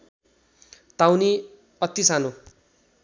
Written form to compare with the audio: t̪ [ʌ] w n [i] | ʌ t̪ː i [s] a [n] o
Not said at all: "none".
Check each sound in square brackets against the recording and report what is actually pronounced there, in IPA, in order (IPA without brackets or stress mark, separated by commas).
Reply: a, i, s, n